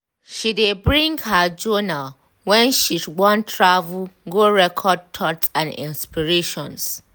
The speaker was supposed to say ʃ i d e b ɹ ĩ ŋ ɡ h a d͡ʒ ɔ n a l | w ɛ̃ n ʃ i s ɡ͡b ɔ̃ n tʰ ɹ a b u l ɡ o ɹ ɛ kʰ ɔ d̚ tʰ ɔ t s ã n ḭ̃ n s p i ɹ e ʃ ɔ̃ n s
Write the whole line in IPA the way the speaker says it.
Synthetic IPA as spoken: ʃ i d e b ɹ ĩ ŋ ɡ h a d͡ʒ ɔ n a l | w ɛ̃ n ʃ i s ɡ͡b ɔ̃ n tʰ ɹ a v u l ɡ o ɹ ɛ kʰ ɔ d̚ tʰ ɔ t s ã n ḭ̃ n s p i ɹ e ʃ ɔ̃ n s